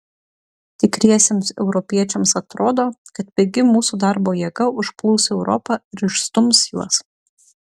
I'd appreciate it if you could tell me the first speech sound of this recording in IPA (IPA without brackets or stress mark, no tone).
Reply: t̪ʲ